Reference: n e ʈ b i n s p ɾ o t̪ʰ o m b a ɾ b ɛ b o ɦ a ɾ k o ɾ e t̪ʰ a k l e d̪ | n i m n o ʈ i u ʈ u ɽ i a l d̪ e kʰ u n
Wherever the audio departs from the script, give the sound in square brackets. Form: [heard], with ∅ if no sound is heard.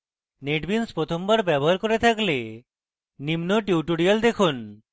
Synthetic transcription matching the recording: n e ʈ b i n s p ɾ o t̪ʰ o m b a ɾ b ɛ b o ɦ a ɾ k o ɾ e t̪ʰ a k l e [∅] | n i m n o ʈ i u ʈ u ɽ i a l d̪ e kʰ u n